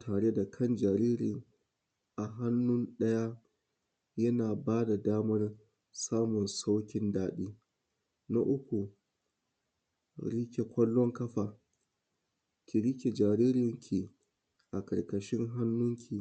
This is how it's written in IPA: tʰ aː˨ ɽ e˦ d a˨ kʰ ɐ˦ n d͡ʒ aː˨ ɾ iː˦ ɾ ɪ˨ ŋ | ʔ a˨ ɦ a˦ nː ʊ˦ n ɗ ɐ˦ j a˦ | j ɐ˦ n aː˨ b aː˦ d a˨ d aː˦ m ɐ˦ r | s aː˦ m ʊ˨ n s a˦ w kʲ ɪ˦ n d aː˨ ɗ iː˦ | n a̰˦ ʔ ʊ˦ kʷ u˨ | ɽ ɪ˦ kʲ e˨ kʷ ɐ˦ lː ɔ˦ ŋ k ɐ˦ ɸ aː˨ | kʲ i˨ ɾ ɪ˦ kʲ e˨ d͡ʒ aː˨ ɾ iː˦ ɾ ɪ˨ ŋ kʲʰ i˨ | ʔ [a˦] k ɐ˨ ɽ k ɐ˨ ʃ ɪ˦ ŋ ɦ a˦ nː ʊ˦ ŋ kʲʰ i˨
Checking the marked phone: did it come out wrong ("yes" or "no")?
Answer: yes